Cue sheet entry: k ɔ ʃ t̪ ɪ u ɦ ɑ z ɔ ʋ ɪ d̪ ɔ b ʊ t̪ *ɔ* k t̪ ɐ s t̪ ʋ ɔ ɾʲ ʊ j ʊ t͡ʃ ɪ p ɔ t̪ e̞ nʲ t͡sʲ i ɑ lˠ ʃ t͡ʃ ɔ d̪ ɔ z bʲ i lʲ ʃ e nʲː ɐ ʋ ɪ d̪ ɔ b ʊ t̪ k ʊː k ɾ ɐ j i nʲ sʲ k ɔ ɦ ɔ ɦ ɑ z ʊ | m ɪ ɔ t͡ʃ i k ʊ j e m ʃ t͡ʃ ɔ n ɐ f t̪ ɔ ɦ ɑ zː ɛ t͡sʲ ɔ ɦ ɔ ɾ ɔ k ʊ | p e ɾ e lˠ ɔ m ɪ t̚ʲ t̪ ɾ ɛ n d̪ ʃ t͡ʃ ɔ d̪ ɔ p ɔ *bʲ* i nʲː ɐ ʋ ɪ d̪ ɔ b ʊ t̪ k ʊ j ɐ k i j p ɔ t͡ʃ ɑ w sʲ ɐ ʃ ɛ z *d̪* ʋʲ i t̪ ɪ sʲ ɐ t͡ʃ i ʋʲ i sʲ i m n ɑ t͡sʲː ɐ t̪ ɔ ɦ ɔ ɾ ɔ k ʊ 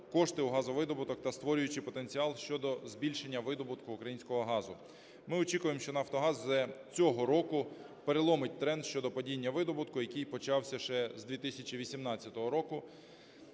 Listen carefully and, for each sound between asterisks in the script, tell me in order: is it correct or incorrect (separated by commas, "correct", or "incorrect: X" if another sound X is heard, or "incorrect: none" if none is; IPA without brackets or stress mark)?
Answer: correct, incorrect: dʲ, correct